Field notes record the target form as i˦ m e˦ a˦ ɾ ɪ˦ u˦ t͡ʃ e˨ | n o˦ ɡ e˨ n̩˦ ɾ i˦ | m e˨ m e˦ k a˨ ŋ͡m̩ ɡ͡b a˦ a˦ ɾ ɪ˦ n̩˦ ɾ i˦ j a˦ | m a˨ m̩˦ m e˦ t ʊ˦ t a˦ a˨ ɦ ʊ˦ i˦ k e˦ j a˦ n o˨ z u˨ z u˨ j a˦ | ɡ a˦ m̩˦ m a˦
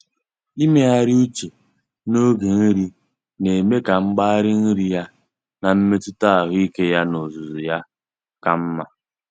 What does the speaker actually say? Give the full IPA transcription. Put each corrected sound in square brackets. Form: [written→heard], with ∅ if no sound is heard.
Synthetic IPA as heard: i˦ m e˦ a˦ ɾ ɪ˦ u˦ t͡ʃ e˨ | n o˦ ɡ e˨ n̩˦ ɾ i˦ | [m→n] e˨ m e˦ k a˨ ŋ͡m̩ ɡ͡b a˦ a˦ ɾ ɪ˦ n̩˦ ɾ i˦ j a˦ | [m→n] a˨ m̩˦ m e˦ t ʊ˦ t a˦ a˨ ɦ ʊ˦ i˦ k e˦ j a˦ n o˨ z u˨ z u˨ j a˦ | [ɡ→k] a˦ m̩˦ m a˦